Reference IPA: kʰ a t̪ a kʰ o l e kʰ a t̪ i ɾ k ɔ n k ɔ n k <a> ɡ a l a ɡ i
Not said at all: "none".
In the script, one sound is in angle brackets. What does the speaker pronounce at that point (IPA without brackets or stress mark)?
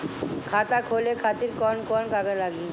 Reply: a